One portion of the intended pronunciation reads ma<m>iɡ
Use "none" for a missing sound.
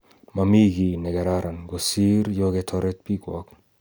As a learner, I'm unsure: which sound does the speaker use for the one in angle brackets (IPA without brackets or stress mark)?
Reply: m